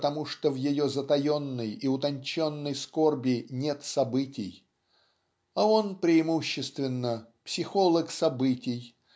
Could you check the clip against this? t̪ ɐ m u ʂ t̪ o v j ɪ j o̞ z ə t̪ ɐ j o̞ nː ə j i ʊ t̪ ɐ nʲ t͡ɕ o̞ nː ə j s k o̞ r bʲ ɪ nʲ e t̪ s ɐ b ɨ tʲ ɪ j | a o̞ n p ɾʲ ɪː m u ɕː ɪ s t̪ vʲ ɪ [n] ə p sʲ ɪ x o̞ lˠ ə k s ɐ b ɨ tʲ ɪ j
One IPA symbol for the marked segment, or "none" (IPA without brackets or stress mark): nː